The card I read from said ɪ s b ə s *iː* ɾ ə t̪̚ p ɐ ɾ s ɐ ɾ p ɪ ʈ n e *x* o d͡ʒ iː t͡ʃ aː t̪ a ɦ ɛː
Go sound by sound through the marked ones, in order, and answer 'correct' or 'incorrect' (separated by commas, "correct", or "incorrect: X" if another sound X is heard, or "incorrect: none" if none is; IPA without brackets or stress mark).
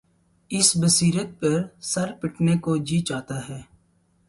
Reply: correct, incorrect: k